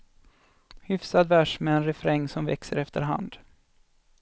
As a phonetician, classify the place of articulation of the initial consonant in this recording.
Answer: glottal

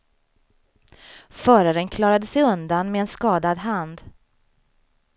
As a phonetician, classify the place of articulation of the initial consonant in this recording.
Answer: labial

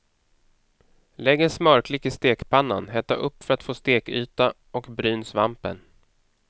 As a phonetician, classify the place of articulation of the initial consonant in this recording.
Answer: alveolar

